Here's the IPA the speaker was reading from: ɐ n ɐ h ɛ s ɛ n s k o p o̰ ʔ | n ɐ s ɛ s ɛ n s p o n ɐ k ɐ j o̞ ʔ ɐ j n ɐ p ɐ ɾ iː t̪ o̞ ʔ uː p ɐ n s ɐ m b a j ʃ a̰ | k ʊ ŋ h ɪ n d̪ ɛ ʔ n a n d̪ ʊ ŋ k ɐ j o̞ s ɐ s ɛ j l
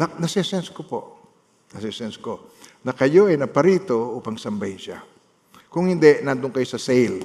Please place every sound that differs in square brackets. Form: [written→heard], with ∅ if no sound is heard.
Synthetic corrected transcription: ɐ n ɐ [h→s] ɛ s ɛ n s k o p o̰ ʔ | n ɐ s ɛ s ɛ n s [p→k] o n ɐ k ɐ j o̞ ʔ ɐ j n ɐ p ɐ ɾ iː t̪ o̞ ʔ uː p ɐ [n→ŋ] s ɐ m b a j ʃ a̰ | k ʊ ŋ h ɪ n d̪ ɛ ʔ n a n d̪ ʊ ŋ k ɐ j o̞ s ɐ s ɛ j l